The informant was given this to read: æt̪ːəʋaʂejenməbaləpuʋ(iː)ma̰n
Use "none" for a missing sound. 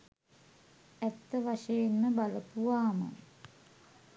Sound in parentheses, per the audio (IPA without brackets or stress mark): aː